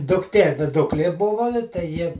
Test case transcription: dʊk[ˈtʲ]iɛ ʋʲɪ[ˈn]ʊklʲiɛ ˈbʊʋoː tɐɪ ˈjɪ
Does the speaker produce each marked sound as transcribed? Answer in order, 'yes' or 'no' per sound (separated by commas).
yes, no